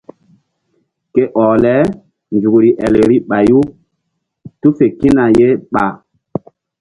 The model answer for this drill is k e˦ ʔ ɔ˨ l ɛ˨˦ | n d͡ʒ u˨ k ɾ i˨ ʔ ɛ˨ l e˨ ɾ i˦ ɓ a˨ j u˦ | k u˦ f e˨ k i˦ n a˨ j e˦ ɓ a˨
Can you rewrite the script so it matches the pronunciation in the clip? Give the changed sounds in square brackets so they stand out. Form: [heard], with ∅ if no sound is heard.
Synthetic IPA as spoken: k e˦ ʔ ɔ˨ l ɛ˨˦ | n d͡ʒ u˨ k ɾ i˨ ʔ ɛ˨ l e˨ ɾ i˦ ɓ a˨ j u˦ | [t] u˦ f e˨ k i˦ n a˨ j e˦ ɓ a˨